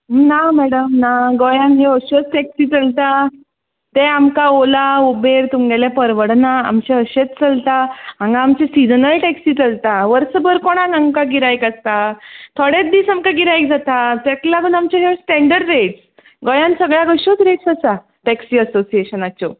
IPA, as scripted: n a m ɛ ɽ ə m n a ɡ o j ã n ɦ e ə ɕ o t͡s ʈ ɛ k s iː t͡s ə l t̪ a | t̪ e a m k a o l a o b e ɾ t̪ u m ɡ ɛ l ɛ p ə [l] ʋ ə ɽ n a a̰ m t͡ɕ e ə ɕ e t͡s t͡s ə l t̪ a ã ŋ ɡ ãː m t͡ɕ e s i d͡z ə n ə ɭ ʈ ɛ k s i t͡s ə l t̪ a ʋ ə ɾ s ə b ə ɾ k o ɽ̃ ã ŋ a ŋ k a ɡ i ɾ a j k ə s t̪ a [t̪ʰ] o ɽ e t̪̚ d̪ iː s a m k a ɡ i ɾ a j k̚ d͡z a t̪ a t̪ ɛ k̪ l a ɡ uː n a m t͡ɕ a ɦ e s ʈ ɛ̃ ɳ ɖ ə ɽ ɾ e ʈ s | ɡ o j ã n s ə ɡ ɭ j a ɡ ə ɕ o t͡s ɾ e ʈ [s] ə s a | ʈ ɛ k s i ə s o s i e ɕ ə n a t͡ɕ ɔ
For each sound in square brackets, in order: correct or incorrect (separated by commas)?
incorrect, correct, correct